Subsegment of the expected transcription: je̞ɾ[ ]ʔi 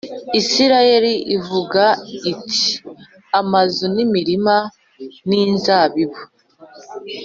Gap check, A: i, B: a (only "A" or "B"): A